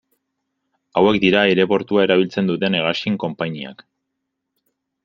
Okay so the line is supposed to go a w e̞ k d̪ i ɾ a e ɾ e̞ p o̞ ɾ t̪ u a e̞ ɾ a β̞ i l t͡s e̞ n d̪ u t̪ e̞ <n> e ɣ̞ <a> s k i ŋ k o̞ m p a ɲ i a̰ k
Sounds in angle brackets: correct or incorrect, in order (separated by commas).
correct, correct